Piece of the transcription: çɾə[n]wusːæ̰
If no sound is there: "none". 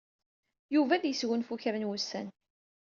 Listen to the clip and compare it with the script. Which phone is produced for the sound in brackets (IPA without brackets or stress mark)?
n